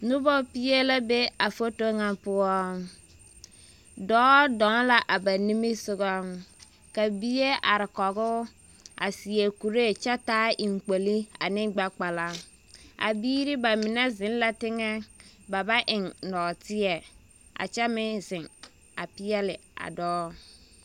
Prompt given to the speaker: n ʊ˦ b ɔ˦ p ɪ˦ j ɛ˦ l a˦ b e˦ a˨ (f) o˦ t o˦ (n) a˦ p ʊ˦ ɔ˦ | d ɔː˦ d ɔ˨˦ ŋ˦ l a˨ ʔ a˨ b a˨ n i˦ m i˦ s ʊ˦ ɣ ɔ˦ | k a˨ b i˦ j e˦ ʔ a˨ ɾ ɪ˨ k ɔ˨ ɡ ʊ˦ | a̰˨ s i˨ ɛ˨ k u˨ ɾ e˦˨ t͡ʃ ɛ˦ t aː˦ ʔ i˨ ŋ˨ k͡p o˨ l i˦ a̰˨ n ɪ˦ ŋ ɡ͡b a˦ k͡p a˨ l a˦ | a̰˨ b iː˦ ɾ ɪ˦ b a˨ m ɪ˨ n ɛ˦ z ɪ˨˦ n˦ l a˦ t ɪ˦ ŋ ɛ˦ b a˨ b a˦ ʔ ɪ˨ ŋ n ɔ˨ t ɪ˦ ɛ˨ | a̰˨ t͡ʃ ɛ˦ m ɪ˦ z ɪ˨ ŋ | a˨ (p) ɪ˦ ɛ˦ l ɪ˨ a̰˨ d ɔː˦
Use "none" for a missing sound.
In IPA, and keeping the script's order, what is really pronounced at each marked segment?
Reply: f, ŋ, p

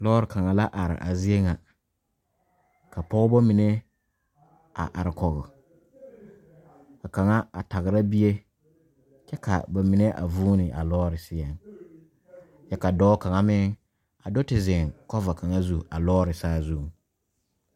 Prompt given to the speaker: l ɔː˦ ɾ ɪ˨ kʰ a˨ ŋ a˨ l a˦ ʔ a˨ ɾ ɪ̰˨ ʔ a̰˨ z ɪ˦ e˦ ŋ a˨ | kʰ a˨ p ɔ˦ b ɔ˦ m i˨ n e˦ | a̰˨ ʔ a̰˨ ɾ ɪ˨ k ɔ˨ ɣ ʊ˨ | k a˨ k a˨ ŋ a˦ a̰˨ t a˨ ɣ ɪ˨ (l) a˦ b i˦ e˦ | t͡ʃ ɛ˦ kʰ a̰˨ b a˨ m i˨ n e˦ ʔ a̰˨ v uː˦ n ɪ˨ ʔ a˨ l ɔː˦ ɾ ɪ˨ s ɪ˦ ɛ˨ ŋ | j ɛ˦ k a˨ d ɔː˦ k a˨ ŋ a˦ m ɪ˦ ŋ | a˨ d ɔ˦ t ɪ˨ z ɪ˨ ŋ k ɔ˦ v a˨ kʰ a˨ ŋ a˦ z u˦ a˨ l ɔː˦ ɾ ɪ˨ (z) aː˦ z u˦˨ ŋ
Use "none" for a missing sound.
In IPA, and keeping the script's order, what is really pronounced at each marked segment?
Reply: ɾ, s

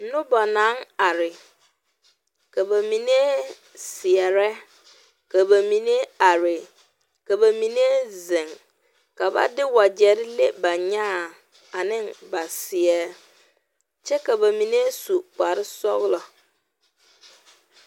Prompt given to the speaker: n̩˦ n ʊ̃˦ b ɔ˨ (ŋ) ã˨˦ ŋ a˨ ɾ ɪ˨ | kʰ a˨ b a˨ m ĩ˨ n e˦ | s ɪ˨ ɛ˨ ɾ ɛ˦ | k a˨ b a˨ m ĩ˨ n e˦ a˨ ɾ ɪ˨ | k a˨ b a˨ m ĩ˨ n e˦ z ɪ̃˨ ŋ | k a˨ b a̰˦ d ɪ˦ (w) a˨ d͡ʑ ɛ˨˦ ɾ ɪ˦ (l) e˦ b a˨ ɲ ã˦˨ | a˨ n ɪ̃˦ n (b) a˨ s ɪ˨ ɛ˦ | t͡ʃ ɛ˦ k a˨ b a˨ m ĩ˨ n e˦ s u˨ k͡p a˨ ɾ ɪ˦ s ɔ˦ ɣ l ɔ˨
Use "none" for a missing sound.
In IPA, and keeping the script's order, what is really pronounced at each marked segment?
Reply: n, w, l, b

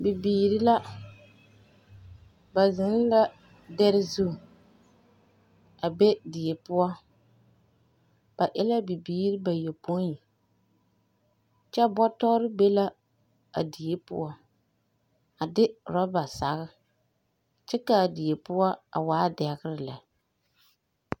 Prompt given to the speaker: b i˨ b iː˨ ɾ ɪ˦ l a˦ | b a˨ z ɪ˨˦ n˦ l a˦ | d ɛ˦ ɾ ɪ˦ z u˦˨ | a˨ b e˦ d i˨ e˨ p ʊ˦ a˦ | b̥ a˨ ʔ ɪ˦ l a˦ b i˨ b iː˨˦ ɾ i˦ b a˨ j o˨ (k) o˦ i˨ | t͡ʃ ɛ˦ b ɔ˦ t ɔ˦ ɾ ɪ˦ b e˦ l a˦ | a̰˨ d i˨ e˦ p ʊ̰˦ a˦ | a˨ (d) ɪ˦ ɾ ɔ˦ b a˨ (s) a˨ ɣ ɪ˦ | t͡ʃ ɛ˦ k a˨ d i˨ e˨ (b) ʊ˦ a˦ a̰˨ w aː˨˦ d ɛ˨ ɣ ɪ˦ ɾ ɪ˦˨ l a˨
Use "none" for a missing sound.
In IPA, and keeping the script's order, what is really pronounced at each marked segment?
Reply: p, d, s, p

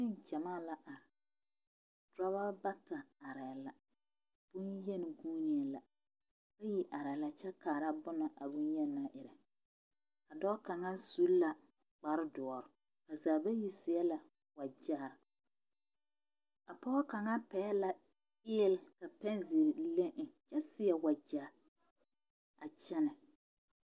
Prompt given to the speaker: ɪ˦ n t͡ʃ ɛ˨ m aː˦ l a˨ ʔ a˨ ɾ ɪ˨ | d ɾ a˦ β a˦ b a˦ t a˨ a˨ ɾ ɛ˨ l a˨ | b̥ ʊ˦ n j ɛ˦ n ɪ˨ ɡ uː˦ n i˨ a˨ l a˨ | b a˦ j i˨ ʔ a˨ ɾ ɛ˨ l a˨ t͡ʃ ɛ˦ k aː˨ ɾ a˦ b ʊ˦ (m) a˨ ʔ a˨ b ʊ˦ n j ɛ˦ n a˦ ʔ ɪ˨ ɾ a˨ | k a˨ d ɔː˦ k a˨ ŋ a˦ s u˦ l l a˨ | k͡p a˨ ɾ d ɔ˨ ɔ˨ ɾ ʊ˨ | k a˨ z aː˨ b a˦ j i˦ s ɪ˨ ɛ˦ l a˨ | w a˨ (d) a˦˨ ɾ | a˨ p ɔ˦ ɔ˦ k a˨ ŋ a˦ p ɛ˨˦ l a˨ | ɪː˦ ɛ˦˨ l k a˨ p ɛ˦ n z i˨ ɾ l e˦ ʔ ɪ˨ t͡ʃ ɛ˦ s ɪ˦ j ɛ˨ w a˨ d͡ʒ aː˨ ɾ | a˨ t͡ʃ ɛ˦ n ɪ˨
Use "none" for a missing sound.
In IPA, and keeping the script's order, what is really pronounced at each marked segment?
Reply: n, d͡ʒ

